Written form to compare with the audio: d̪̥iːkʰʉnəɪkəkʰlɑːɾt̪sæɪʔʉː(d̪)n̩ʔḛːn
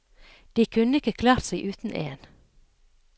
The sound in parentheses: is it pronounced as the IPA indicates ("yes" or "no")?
no